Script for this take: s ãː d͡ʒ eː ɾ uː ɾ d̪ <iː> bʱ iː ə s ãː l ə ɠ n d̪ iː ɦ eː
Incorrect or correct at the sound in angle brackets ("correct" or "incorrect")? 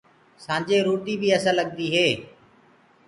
correct